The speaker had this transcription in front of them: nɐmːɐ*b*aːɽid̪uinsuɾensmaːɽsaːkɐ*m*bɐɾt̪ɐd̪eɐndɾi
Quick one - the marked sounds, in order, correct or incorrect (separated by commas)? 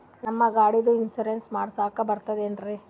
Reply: incorrect, incorrect